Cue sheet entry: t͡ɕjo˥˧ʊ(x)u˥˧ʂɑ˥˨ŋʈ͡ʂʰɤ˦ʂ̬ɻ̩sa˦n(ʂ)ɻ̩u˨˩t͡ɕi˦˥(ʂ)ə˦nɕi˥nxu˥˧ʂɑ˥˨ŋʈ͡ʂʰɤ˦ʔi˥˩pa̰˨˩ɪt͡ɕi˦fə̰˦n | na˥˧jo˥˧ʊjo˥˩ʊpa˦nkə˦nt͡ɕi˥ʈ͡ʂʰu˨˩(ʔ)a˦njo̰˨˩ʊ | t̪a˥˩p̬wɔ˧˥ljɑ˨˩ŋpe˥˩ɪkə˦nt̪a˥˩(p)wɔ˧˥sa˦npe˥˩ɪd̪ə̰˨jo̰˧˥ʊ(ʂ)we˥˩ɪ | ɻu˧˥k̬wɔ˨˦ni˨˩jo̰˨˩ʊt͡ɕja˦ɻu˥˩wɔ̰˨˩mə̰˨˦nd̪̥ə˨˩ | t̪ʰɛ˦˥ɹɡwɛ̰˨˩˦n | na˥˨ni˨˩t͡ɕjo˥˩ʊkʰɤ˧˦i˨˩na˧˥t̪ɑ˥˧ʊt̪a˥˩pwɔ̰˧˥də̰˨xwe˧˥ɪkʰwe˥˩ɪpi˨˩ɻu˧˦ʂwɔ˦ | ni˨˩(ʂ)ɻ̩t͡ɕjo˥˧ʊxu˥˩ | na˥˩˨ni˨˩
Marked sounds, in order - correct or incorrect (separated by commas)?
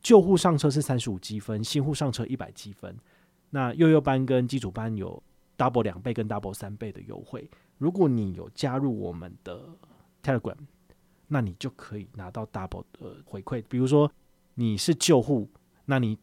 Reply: correct, correct, incorrect, incorrect, correct, incorrect, correct